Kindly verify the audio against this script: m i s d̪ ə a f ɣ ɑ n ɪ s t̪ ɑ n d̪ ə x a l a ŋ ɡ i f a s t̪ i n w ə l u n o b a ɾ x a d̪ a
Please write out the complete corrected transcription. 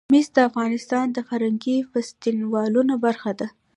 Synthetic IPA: m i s d̪ ə a f ɣ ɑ n ɪ s t̪ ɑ n d̪ ə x a ɾ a ŋ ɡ i f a s t̪ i n w ɑ l u n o b a ɾ x a d̪ a